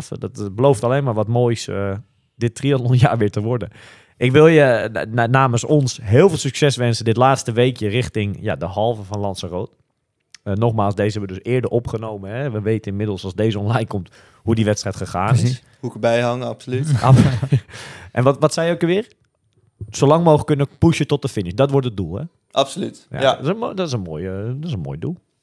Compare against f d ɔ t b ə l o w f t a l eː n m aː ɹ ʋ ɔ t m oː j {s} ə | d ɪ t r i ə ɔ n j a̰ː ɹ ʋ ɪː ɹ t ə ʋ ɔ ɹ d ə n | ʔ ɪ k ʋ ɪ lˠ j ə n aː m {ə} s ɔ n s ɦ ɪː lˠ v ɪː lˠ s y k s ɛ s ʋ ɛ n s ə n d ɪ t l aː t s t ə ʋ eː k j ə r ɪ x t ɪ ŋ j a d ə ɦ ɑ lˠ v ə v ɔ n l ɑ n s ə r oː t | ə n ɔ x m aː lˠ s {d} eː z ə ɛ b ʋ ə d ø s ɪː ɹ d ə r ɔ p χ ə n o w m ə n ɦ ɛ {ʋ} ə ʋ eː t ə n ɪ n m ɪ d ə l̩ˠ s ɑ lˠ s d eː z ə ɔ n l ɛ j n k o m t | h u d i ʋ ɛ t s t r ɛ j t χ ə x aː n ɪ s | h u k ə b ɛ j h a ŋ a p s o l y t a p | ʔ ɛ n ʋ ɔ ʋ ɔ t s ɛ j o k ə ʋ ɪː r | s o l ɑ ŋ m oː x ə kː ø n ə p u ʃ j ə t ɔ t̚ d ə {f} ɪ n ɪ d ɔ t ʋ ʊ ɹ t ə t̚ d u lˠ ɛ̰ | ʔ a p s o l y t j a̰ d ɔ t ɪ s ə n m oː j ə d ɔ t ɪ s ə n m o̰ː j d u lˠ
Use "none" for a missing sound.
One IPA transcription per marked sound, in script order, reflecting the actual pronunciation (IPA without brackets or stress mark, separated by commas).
s, ə, d, ʋ, f